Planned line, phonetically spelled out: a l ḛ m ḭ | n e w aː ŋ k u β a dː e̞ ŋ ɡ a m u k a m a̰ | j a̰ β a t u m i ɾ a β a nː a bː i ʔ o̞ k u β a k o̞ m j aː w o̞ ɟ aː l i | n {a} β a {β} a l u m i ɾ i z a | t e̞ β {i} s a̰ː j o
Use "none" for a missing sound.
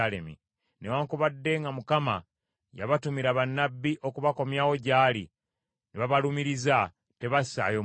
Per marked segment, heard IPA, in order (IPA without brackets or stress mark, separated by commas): e, β, a